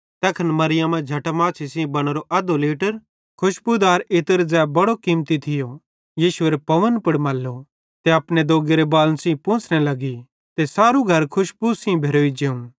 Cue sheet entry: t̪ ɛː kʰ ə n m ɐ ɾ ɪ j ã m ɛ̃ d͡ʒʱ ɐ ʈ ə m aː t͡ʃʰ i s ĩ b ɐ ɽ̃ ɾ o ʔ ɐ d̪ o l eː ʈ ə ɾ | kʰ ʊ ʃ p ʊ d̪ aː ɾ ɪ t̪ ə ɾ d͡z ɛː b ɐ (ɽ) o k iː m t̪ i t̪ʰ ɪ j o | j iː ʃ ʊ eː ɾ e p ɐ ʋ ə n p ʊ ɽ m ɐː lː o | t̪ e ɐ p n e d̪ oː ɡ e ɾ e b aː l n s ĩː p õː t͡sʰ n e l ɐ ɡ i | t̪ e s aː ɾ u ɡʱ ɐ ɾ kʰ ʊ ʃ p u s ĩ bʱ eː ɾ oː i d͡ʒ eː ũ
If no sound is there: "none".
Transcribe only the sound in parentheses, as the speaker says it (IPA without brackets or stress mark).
ɽ